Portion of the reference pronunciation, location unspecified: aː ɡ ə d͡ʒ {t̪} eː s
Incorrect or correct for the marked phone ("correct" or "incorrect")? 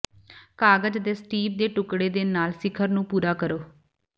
incorrect